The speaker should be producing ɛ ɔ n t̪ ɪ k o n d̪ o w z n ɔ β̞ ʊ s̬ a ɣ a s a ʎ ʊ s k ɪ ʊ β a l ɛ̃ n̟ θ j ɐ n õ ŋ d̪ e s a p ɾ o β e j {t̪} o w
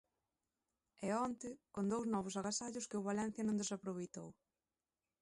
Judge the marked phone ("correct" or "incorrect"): correct